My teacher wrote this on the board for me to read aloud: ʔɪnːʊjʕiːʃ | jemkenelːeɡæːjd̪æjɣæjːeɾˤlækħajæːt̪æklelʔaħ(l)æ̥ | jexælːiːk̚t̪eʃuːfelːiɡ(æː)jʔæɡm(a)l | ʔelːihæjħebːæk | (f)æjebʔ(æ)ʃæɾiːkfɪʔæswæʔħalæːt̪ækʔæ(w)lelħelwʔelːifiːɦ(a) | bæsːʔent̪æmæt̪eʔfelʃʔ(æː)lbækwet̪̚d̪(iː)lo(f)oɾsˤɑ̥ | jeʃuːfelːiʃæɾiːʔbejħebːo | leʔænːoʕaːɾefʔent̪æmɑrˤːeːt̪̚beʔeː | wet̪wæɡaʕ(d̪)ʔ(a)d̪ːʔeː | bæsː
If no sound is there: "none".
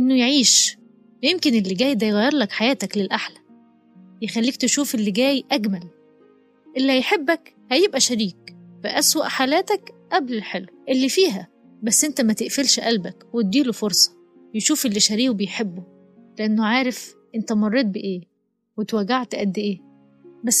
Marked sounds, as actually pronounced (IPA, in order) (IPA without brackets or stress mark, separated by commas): l, æː, æ, h, æ, b, æ, æ, iː, f, t̪, æ